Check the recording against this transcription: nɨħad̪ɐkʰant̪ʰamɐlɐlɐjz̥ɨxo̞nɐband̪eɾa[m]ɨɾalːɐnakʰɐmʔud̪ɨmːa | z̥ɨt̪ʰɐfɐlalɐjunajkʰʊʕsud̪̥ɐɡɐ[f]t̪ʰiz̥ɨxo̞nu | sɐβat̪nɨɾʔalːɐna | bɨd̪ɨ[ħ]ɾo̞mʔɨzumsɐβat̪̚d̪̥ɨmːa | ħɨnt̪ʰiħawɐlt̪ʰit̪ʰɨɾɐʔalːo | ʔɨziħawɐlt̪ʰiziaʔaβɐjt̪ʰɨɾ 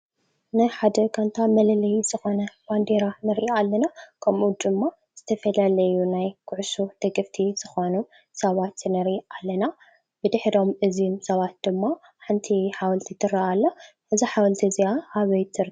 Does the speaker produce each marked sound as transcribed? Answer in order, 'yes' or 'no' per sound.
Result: no, yes, yes

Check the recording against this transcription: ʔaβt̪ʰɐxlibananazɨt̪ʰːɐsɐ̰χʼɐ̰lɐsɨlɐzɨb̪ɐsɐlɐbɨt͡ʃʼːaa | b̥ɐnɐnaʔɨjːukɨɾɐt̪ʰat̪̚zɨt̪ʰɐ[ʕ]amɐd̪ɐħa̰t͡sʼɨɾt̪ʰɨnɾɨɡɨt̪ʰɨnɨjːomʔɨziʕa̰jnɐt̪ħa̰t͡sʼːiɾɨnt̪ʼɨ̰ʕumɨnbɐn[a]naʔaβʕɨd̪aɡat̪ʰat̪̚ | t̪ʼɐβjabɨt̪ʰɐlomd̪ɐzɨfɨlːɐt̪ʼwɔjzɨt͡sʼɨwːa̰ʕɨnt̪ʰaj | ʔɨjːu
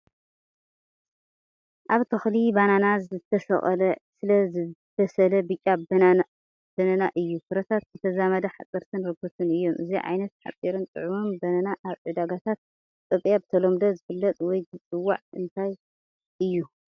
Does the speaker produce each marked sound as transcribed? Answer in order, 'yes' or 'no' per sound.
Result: no, no

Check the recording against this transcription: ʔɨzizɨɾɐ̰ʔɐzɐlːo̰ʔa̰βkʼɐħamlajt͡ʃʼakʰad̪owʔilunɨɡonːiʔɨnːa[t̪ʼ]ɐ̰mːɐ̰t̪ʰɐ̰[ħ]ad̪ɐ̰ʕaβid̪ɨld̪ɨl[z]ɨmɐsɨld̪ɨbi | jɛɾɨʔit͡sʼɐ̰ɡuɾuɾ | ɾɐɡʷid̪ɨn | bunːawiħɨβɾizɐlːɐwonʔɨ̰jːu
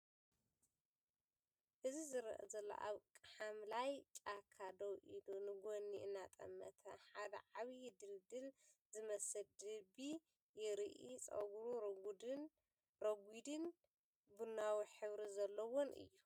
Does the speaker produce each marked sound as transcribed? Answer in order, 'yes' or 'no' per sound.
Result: yes, yes, yes

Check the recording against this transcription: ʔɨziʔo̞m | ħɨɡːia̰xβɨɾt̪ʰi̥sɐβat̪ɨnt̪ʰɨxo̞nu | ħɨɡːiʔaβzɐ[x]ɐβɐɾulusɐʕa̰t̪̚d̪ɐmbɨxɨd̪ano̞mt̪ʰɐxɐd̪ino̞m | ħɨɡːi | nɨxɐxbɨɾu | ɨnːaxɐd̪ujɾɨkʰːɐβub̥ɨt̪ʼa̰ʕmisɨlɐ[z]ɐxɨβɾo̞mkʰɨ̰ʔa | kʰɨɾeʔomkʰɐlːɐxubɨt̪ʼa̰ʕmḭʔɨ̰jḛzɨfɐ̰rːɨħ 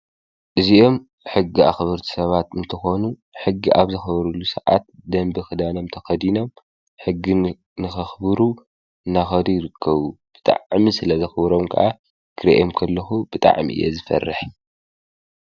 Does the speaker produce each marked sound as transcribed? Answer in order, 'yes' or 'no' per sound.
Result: yes, yes

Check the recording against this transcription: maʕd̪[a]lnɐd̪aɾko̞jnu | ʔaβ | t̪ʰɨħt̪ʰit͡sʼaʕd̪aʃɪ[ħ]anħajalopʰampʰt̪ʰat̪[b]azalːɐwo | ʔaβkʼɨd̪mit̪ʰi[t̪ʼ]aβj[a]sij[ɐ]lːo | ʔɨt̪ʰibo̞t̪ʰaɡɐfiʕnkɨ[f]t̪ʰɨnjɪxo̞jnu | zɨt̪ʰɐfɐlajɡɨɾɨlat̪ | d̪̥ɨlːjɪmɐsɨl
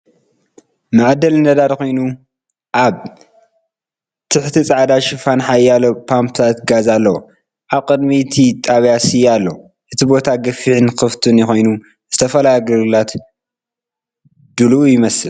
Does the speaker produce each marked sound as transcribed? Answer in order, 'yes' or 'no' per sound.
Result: no, no, no, yes, yes, no, yes

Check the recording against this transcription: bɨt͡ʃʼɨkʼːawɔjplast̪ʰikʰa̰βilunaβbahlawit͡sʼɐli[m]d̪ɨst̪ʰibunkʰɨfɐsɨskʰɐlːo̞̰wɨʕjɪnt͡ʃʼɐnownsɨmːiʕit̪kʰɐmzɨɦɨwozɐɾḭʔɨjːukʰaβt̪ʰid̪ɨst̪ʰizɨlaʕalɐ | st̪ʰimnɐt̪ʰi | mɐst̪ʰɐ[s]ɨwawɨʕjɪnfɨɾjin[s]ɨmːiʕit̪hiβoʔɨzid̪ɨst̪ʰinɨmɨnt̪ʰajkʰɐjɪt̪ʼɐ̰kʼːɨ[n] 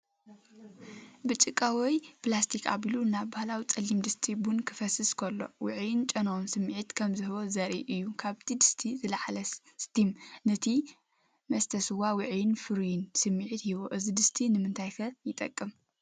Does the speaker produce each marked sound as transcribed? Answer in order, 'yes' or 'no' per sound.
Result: yes, yes, yes, no

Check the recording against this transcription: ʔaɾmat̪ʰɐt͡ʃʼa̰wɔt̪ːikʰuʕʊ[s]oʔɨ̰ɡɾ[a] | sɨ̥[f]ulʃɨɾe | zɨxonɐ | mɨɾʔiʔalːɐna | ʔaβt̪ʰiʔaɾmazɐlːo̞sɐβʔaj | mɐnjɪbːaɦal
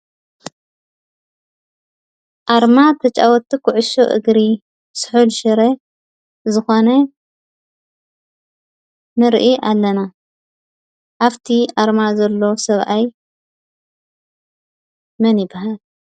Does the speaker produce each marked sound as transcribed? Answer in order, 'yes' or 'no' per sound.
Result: no, no, no

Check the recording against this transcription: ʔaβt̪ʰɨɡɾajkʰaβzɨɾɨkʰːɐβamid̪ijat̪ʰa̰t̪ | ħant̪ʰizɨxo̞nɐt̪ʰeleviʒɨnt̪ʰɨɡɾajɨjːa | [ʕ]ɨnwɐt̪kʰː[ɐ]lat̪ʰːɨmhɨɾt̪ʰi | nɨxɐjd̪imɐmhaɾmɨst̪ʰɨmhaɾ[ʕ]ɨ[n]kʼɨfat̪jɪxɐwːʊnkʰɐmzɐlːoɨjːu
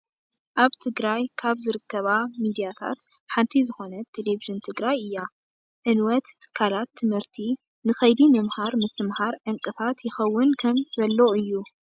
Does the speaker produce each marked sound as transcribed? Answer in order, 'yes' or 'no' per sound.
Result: yes, no, yes, no

